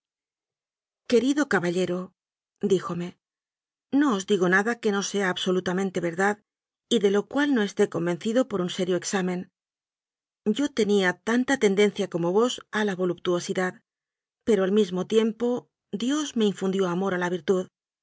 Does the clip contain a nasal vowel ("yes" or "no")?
yes